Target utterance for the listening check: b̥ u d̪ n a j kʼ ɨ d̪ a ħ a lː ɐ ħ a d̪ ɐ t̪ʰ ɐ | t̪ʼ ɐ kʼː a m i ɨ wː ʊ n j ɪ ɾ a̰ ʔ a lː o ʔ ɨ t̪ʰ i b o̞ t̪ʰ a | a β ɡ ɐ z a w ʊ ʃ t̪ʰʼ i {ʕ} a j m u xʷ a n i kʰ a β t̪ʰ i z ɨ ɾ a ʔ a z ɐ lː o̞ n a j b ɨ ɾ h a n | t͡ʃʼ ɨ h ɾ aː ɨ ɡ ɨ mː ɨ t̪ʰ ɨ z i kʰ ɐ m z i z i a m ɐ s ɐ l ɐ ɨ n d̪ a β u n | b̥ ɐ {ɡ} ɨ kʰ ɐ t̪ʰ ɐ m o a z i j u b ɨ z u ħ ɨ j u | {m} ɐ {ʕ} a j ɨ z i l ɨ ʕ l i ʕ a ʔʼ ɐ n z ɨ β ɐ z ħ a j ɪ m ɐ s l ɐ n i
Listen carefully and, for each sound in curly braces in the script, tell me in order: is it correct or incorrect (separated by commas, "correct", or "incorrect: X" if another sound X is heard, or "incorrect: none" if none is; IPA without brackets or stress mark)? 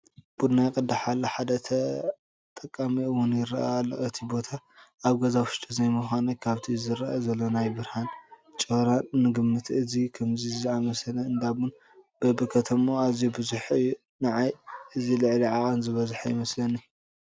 incorrect: z, incorrect: b, incorrect: n, correct